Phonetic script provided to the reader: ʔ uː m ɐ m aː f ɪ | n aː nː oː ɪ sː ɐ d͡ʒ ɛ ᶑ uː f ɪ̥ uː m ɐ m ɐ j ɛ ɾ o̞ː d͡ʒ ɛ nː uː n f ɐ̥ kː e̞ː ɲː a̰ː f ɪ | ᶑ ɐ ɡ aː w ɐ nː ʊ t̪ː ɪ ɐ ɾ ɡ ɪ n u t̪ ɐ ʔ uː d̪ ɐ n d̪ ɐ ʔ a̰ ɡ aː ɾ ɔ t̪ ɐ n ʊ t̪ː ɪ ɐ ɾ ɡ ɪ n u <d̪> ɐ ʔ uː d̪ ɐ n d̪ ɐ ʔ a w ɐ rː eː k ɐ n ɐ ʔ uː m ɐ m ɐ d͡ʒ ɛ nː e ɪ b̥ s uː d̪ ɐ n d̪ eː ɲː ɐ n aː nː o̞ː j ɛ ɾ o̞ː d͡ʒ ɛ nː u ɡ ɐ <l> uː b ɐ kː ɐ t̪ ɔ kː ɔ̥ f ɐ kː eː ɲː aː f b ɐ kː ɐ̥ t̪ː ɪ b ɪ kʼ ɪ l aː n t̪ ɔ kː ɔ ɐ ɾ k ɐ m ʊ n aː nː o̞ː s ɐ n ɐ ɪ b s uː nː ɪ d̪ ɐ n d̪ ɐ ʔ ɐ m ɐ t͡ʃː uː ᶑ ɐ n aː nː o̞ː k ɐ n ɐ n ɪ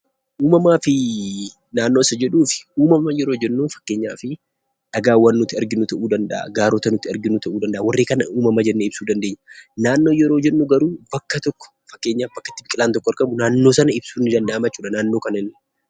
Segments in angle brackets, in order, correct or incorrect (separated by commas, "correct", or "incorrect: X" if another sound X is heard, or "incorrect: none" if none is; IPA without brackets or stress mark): incorrect: t̪, incorrect: ɾ